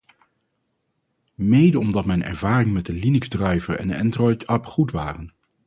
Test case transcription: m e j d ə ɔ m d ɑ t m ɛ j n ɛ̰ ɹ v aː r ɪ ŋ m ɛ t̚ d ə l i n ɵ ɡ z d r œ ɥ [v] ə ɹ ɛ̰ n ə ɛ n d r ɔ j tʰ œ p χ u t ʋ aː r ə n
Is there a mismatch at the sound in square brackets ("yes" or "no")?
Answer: no